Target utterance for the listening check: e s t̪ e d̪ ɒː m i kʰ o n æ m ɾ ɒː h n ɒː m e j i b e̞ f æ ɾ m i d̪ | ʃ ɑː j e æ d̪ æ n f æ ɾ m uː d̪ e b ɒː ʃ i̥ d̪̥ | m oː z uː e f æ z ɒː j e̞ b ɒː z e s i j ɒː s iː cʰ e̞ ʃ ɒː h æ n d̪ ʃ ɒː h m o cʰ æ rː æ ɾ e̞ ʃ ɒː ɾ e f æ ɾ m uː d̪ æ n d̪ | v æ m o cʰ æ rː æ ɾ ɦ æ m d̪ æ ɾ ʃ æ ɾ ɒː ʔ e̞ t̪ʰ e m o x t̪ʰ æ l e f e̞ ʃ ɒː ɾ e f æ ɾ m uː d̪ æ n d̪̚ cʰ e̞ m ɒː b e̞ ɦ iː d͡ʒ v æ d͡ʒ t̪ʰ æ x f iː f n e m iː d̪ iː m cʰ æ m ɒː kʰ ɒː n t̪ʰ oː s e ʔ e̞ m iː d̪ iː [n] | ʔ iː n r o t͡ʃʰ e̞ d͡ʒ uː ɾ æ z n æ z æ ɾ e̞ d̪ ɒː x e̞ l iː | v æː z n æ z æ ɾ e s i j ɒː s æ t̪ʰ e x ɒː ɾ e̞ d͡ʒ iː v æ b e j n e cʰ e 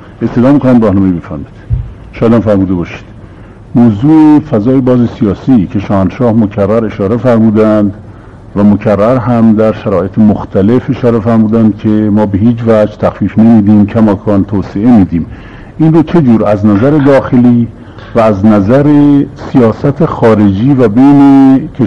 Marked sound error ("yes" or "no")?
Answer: yes